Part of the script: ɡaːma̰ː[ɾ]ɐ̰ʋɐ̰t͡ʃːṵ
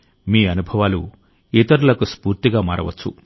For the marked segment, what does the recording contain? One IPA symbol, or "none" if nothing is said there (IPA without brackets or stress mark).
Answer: ɾ